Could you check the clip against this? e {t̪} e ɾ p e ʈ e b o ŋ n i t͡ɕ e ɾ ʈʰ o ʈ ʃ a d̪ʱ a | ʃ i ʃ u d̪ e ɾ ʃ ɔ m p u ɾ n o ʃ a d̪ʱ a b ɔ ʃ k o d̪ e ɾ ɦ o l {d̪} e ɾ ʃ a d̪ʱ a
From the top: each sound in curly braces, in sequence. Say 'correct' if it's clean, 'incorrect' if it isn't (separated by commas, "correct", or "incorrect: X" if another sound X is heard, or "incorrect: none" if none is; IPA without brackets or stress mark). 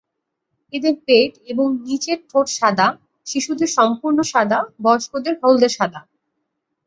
incorrect: d̪, correct